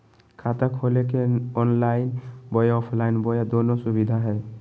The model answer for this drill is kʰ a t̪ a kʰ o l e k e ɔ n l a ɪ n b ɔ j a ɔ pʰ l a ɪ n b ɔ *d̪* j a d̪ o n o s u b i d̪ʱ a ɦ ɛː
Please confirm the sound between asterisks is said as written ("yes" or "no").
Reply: no